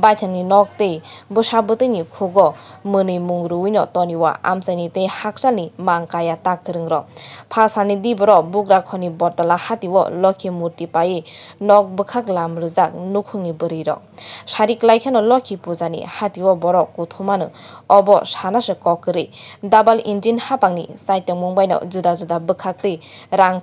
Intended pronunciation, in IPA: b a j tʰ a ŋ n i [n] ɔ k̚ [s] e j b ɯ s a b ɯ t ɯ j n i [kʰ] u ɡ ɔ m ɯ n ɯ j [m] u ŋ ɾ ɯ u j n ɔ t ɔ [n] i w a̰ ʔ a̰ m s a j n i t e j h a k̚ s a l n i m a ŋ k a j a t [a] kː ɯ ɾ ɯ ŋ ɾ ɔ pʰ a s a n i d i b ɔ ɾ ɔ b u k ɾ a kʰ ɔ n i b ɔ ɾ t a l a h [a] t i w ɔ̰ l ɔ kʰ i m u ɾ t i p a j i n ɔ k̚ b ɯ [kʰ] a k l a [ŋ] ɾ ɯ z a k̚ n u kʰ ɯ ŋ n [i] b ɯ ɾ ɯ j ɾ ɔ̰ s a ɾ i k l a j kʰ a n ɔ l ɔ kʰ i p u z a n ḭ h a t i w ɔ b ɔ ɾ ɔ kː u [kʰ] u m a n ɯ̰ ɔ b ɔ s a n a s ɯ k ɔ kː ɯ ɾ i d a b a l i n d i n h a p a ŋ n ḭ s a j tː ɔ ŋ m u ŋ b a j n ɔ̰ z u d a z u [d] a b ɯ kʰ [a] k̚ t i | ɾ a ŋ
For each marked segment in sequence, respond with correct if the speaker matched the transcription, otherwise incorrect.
correct, incorrect, correct, correct, correct, correct, correct, correct, incorrect, correct, incorrect, correct, correct

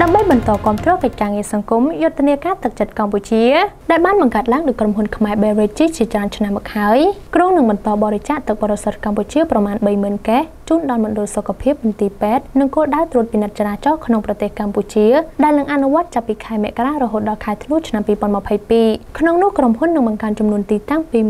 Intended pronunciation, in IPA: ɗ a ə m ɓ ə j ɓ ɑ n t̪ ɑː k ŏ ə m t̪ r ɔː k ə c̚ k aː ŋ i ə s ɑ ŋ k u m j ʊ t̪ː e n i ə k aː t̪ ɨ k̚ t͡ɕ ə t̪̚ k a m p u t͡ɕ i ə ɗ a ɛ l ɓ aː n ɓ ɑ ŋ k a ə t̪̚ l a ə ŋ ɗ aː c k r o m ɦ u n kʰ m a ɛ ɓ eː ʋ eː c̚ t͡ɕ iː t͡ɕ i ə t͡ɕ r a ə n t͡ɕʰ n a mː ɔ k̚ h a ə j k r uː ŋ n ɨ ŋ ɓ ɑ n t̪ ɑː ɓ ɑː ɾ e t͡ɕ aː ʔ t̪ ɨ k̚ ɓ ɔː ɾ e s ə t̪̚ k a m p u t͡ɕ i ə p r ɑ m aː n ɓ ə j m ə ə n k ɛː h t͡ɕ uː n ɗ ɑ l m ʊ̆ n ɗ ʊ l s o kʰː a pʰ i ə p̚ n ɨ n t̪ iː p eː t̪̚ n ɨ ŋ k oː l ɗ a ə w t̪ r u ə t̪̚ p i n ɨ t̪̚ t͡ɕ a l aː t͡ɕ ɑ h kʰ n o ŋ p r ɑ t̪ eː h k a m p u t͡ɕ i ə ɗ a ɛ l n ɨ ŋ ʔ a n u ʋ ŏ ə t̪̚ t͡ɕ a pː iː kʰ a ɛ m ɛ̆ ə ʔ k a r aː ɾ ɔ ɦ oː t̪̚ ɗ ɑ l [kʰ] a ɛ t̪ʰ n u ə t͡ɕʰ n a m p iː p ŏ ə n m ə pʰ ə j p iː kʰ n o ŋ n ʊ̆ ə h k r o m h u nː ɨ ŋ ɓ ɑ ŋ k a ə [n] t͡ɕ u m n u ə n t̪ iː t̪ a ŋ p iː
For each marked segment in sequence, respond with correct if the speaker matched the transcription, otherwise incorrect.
correct, correct

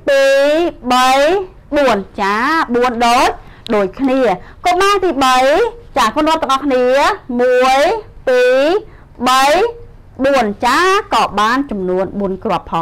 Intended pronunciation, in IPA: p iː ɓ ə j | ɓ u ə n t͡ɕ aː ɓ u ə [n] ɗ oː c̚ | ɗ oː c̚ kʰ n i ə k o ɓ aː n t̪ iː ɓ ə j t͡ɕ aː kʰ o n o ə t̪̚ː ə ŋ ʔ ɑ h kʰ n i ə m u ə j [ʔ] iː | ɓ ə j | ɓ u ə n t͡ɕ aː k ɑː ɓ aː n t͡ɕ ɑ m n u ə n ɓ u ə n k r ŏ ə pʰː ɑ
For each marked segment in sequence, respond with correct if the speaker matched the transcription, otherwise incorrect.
correct, incorrect

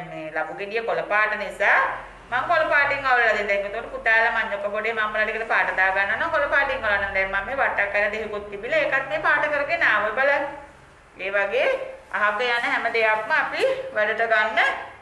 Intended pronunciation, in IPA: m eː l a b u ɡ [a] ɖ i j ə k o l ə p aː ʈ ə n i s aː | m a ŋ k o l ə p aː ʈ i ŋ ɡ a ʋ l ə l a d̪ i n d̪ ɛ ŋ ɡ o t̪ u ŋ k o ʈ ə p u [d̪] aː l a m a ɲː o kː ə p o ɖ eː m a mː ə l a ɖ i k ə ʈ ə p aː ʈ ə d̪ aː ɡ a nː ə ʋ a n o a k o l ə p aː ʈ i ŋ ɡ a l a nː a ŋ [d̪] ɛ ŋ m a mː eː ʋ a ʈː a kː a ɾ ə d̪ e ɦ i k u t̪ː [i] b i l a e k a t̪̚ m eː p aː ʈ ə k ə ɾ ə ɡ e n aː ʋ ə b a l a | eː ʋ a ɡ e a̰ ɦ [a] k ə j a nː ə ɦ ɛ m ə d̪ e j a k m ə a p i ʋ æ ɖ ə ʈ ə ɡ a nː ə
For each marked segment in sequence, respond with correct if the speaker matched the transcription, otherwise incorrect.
incorrect, incorrect, correct, correct, correct

